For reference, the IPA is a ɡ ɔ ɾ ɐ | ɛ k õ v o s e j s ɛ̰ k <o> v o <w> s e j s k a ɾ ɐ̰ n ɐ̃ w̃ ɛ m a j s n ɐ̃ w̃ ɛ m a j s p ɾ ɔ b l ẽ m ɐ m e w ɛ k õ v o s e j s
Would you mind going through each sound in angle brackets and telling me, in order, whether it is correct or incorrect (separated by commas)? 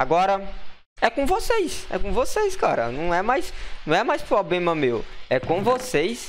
incorrect, incorrect